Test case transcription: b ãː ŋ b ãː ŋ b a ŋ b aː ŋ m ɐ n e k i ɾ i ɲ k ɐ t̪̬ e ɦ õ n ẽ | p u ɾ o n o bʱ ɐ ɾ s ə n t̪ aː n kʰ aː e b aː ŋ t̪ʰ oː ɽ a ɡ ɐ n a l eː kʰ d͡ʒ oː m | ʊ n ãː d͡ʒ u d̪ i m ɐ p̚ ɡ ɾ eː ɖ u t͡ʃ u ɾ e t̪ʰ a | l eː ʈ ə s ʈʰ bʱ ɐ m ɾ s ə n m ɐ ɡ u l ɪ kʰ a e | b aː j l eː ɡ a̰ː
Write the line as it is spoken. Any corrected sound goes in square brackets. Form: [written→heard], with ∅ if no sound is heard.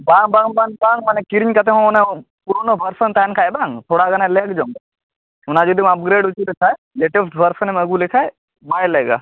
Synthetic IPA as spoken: b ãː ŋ b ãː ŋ b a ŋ b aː ŋ m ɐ n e k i ɾ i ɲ k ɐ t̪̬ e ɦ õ n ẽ | p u ɾ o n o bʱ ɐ ɾ s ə n t̪ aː n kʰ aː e b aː ŋ t̪ʰ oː ɽ a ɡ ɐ n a l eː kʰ d͡ʒ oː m | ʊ n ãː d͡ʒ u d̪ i m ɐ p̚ ɡ ɾ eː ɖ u t͡ʃ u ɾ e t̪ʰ a | l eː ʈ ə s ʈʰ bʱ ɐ [m→∅] ɾ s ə n m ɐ ɡ u l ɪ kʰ a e | b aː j l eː ɡ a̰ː